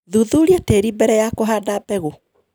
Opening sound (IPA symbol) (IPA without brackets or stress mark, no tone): ð